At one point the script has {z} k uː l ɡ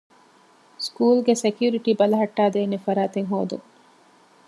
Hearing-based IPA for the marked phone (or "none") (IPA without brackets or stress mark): s